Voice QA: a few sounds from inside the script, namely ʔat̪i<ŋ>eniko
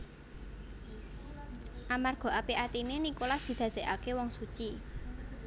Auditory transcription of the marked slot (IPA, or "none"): n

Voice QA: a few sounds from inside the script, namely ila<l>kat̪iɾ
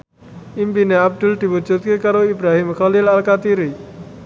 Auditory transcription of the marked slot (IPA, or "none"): l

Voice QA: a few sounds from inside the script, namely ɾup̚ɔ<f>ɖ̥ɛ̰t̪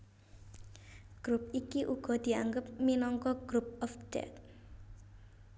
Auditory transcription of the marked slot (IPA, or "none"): f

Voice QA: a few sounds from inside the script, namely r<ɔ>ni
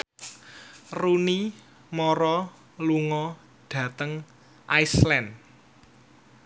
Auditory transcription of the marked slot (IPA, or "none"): u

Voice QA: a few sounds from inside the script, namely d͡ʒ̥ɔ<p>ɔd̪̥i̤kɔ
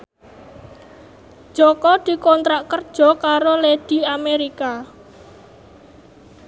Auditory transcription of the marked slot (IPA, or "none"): k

